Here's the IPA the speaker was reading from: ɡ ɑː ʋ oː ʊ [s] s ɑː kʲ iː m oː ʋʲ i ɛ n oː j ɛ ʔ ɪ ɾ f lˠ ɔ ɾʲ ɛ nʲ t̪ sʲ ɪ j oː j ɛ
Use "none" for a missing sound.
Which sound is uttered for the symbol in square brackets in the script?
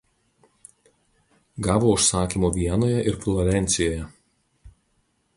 ʃ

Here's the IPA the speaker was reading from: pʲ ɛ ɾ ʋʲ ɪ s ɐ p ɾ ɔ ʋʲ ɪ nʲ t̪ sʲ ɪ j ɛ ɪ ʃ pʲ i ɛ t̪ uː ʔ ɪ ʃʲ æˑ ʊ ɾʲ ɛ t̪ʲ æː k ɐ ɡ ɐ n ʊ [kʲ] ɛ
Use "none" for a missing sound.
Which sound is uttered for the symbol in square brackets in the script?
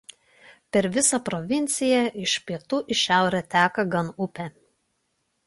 pʲ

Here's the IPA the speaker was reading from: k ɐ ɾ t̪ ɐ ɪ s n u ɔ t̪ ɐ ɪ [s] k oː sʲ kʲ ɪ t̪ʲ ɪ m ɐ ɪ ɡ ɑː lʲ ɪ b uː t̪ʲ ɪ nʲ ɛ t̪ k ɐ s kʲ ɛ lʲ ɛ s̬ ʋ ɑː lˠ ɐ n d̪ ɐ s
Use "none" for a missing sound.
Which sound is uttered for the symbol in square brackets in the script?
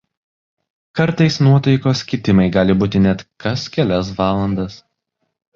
none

